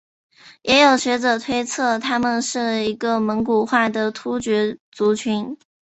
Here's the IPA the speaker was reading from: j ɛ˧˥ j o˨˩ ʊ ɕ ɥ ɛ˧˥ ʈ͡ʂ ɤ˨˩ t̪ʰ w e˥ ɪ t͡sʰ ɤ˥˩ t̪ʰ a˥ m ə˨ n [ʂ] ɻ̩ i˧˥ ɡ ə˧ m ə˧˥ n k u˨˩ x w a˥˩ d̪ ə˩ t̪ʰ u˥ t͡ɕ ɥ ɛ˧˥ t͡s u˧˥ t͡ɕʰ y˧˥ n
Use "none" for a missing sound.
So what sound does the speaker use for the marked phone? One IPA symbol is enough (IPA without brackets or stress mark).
ʂ